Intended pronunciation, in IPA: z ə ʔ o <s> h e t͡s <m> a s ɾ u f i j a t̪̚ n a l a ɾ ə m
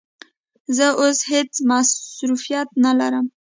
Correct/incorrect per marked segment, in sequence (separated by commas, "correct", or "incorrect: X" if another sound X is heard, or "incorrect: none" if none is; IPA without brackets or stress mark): correct, correct